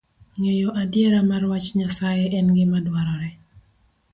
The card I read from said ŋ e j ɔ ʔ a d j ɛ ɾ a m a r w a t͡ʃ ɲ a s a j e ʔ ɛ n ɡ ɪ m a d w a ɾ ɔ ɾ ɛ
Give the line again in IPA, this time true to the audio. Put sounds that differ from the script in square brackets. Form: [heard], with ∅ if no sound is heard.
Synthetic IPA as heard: ŋ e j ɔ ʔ a d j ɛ ɾ a m a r w a t͡ʃ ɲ a s a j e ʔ ɛ n ɡ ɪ m a d w a ɾ ɔ ɾ ɛ